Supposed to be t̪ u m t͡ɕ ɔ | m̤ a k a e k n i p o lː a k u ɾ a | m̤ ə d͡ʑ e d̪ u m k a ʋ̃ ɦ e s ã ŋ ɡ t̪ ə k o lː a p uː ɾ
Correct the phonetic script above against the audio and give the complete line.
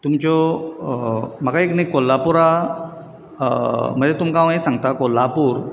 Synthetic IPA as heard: t̪ u m t͡ɕ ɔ | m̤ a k a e k n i k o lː a p u ɾ a | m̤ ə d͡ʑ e t̪ u m k a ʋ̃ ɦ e s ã ŋ ɡ t̪ a k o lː a p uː ɾ

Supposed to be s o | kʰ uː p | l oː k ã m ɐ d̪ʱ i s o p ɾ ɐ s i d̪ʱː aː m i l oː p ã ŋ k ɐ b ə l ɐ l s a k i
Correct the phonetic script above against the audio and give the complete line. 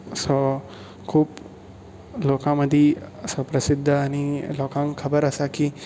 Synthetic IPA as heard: s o | kʰ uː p | l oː k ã m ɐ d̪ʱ i s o p ɾ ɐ s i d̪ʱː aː n i l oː k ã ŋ kʰ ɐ b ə ɾ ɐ s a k i

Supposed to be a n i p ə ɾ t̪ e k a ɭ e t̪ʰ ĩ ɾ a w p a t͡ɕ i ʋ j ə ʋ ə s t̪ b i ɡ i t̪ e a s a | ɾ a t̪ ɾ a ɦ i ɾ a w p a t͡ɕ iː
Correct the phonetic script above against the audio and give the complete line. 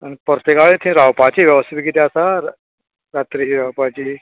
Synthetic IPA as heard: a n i p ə ɾ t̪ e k a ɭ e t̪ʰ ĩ ɾ a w p a t͡ɕ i ʋ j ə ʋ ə s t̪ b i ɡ i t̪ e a s a | ɾ a t̪ ɾ i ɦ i ɾ a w p a t͡ɕ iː

